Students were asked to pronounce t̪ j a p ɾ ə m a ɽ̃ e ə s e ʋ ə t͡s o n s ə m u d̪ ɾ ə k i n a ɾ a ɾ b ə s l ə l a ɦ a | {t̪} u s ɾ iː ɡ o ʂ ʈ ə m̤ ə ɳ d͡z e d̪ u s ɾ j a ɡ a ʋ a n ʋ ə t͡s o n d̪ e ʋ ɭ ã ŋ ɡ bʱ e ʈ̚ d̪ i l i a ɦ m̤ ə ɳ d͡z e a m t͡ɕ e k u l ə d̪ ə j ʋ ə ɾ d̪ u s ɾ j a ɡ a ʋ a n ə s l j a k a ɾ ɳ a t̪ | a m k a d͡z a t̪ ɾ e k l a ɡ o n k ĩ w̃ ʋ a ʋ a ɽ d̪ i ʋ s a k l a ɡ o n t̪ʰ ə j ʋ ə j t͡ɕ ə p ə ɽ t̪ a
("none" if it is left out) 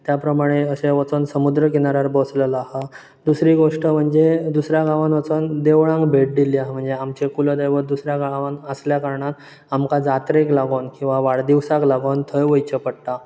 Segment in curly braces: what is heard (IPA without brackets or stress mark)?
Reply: d̪